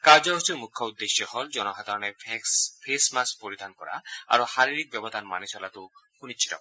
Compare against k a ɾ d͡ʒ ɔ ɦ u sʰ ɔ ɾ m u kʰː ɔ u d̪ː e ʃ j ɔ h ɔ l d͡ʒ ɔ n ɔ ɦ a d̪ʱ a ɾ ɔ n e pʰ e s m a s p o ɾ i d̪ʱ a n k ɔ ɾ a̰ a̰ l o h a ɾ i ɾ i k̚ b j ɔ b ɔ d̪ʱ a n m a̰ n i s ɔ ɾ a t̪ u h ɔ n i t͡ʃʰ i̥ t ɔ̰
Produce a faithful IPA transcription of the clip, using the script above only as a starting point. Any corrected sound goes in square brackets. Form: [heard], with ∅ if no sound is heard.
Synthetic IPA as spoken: k a ɾ d͡ʒ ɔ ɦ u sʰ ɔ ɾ m u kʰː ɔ u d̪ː e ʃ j ɔ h ɔ l d͡ʒ ɔ n ɔ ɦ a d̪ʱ a ɾ ɔ n e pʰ e s m a s p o ɾ i d̪ʱ a n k ɔ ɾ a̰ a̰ [ɾ] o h a ɾ i ɾ i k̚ b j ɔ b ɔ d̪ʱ a n m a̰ n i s ɔ [l] a t̪ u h [u] n i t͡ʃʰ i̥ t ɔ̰